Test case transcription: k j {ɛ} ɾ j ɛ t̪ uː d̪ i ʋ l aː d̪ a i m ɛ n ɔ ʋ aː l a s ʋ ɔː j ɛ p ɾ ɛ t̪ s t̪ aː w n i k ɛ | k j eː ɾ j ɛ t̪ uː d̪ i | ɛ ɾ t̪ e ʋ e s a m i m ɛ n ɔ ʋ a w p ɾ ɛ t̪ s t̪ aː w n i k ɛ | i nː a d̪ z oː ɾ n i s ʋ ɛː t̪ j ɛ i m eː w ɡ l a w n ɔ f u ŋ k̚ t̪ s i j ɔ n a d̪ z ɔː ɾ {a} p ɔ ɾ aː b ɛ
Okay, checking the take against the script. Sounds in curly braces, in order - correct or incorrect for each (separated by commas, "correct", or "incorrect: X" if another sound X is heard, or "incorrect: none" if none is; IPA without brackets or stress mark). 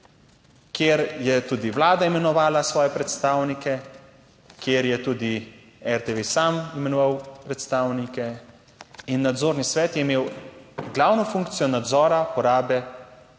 incorrect: e, correct